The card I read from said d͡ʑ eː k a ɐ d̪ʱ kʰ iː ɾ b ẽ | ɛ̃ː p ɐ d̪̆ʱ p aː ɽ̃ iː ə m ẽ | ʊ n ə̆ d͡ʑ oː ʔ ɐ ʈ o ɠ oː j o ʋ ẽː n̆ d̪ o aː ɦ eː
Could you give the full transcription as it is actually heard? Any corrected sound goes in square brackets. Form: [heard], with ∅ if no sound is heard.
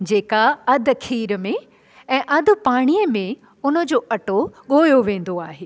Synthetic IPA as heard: d͡ʑ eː k a ɐ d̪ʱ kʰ iː ɾ [m] ẽ | ɛ̃ː [ʔ] ɐ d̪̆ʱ p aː ɽ̃ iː ə m ẽ | ʊ n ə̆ d͡ʑ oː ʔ ɐ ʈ o ɠ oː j o ʋ ẽː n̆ d̪ o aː ɦ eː